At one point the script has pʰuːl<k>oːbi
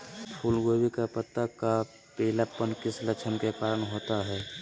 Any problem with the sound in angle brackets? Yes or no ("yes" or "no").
yes